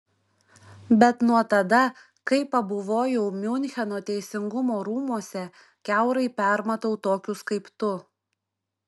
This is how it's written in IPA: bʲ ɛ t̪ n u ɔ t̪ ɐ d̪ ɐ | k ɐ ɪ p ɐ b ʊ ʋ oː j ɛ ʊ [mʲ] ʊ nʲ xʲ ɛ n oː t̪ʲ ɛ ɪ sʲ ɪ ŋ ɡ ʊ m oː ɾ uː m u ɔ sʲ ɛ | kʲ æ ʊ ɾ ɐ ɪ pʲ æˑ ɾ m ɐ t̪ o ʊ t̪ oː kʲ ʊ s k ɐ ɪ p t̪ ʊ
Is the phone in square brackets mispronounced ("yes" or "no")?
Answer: no